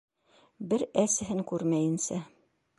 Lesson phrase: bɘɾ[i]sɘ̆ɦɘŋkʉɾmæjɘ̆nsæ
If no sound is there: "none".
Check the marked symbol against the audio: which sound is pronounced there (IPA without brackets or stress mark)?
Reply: æ